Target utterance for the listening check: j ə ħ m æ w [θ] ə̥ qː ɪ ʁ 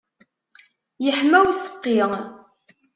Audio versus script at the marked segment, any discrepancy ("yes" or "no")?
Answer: yes